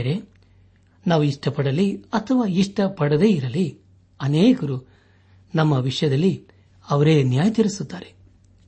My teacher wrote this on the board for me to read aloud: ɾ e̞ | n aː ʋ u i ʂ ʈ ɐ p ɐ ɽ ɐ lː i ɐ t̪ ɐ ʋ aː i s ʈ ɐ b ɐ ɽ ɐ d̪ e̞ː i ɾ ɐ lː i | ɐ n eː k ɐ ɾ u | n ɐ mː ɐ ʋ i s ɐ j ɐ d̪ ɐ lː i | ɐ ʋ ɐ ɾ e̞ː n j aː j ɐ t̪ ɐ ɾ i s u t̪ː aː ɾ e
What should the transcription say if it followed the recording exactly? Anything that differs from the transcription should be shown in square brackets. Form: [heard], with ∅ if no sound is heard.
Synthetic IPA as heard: ɾ e̞ | n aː ʋ u i ʂ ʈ ɐ p ɐ ɽ ɐ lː i ɐ [t̪ʰ] ɐ ʋ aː i [ʂ] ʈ ɐ [p] ɐ ɽ ɐ d̪ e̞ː i ɾ ɐ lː i | ɐ n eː k ɐ ɾ u | n ɐ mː ɐ ʋ i [ʂ] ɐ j ɐ d̪ ɐ lː i | ɐ ʋ ɐ ɾ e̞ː n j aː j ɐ t̪ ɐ ɾ i s u t̪ː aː ɾ e